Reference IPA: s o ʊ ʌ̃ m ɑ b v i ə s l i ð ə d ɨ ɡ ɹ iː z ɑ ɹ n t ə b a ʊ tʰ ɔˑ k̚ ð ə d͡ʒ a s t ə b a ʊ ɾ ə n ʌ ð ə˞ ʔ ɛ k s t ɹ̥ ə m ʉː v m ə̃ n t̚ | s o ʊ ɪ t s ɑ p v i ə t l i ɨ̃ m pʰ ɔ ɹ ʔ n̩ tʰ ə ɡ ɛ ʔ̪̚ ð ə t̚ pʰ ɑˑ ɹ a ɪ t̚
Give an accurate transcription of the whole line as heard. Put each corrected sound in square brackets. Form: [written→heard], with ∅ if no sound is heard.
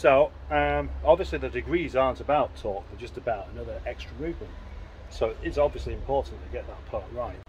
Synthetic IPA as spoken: s o ʊ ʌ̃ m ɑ b v i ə s l i ð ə d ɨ ɡ ɹ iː z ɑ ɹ n t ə b a ʊ tʰ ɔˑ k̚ ð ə d͡ʒ [a→ʌ] s t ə b a ʊ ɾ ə n ʌ ð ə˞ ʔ ɛ k s t ɹ̥ ə m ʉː v m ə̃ n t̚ | s o ʊ ɪ t s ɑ [p→b] v i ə [t→s] l i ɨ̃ m pʰ ɔ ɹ ʔ n̩ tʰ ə ɡ ɛ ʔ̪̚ ð ə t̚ pʰ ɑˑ ɹ a ɪ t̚

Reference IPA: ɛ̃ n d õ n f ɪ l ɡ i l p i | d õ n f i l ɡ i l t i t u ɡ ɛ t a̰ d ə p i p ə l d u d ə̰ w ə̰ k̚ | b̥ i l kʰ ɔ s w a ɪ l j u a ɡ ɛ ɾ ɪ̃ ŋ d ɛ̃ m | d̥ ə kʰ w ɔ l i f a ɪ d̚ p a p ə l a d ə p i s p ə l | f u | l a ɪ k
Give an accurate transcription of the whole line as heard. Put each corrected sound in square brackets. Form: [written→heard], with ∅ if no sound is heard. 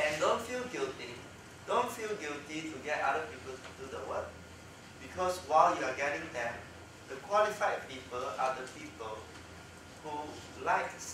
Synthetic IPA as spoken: ɛ̃ n d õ n f [ɪ→i] l ɡ i l [p→t] i | d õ n f i l ɡ i l t i t u ɡ ɛ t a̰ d ə p i p ə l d u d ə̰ w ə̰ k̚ | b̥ i [l→∅] kʰ ɔ s w a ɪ l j u a ɡ ɛ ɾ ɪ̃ ŋ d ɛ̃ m | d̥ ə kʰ w ɔ l i f a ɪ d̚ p [a→i] p ə l a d ə p i [s→∅] p ə l | [f→h] u | l a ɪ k

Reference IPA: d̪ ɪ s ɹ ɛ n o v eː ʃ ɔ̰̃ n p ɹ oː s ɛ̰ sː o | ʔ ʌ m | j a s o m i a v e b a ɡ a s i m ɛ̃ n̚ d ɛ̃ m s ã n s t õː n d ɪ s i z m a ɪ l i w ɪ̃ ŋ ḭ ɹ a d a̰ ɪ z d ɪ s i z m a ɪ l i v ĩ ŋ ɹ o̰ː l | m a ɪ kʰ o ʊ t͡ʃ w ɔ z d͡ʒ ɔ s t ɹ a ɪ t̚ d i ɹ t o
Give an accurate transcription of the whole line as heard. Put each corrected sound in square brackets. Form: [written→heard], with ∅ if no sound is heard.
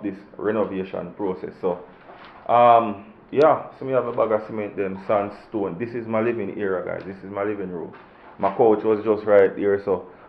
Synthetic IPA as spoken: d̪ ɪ s ɹ ɛ n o v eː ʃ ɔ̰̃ n p ɹ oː s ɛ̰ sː o | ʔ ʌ m | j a s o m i a v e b a ɡ a s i m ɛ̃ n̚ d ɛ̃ m s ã n s t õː n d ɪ s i z m a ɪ l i [w→v] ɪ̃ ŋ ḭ ɹ a [d→ɡ] a̰ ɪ z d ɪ s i z m a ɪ l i v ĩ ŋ ɹ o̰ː l | m a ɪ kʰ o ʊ t͡ʃ w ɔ z d͡ʒ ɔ s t ɹ a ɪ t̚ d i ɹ [t→s] o

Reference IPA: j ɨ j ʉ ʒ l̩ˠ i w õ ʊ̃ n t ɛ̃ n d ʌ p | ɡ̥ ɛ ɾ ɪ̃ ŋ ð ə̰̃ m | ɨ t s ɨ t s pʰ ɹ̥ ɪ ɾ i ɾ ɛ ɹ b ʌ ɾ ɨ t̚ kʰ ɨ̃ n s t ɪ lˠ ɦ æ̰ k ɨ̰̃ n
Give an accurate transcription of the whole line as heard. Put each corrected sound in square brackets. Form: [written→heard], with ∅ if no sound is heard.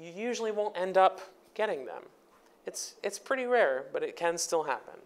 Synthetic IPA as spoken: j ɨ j ʉ ʒ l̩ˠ i w õ ʊ̃ n t ɛ̃ n d ʌ p | ɡ̥ ɛ ɾ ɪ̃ ŋ ð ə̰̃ m | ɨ t s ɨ t s pʰ ɹ̥ ɪ ɾ i [ɾ→ɹ] ɛ ɹ b ʌ ɾ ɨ t̚ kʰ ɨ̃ n s t ɪ lˠ ɦ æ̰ [k→p] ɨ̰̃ n

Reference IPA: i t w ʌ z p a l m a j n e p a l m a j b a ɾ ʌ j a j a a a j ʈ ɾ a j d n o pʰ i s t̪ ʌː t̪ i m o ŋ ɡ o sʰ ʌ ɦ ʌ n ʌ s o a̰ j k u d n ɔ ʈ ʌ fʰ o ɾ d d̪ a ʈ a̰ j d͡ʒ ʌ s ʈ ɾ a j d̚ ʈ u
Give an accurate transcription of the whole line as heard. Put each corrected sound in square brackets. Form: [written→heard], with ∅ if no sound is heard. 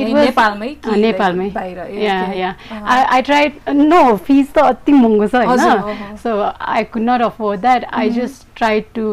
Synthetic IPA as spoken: i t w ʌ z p a l m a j n e p a l m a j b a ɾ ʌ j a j a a a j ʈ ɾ a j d n o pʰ i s t̪ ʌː t̪ i m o ŋ ɡ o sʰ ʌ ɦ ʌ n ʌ s o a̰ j k u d n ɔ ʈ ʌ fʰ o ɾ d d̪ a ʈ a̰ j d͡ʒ ʌ s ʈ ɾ a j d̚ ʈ u

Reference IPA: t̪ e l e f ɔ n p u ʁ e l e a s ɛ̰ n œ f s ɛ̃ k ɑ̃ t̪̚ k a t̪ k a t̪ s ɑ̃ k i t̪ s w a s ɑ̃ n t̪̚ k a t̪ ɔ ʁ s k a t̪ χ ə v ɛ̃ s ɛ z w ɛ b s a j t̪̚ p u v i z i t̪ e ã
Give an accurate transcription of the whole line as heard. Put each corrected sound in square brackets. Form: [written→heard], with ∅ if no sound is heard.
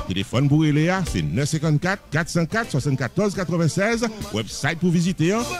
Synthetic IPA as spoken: t̪ e l e f ɔ n p u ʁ e l e a s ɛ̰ n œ f s ɛ̃ k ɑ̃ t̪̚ k a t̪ k a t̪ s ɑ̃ k [i→a] t̪ s w a s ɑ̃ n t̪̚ k a t̪ ɔ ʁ [s→z] k a t̪ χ ə v ɛ̃ s ɛ z w ɛ b s a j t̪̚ p u v i z i t̪ e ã

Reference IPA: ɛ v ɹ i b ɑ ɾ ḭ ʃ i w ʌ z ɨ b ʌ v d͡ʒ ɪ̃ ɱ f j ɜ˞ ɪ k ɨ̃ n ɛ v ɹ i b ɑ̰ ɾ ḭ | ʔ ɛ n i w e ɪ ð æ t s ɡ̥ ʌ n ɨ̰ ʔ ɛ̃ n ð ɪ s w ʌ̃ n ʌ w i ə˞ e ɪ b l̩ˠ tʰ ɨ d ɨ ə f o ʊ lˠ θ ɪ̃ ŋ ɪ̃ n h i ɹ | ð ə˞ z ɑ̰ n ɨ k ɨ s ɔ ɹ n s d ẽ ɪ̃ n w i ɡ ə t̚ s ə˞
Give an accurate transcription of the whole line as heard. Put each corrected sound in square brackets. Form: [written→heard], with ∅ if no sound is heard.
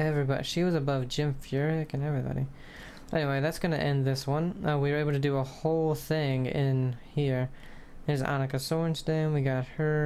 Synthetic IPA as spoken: ɛ v ɹ i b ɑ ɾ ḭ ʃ i w ʌ z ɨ b ʌ v d͡ʒ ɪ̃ ɱ f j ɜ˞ ɪ k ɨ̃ n ɛ v ɹ i b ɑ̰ ɾ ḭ | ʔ ɛ n i w e ɪ ð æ t s ɡ̥ ʌ n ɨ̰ ʔ ɛ̃ n ð ɪ s w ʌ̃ n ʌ w i ə˞ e ɪ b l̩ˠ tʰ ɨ d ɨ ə [f→h] o ʊ lˠ θ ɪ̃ ŋ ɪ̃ n h i ɹ | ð ə˞ z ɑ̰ n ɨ k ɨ s ɔ ɹ n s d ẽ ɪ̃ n w i ɡ [ə→ɑ] t̚ [s→h] ə˞

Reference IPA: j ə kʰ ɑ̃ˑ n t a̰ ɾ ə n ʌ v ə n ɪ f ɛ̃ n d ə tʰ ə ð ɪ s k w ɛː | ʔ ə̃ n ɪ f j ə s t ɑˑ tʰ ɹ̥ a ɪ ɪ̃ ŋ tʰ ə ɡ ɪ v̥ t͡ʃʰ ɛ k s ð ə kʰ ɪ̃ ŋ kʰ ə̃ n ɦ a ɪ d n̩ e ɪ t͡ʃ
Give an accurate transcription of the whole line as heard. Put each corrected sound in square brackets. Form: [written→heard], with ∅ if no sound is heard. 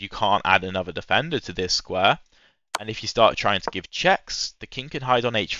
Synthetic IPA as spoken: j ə kʰ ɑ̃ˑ n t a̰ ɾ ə n ʌ [v→ð] ə [n→d] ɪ f ɛ̃ n d ə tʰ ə ð ɪ s k w ɛː | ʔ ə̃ n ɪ f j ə s t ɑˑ tʰ ɹ̥ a ɪ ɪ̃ ŋ tʰ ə ɡ ɪ v̥ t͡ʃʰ ɛ k s ð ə kʰ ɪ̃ ŋ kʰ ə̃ n ɦ a ɪ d n̩ e ɪ t͡ʃ

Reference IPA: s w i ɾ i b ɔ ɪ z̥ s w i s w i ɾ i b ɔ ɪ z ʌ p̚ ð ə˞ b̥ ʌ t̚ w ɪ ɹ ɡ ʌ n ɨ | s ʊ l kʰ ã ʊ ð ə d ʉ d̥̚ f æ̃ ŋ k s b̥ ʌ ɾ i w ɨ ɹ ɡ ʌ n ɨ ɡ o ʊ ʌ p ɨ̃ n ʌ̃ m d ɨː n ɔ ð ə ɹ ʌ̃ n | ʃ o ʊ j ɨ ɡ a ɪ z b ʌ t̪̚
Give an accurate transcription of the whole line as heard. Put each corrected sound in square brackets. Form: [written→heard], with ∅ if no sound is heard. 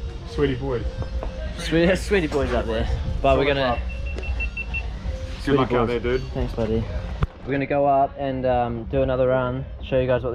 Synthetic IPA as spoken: s w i ɾ i b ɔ ɪ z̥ s w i s w i ɾ i b ɔ ɪ z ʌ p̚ ð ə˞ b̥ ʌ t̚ w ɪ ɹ ɡ ʌ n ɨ | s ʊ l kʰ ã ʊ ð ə d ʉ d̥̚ [f→θ] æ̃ ŋ k s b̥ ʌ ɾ i w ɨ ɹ ɡ ʌ n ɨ ɡ o ʊ ʌ p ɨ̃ n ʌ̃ m d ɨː n [ɔ→ʌ] ð ə ɹ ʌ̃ n | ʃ o ʊ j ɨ ɡ a ɪ z [b→w] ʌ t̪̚

